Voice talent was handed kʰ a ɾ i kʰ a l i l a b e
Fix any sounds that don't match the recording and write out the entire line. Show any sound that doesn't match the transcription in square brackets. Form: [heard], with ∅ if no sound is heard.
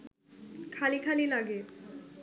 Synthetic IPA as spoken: kʰ a [l] i kʰ a l i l a [ɡ] e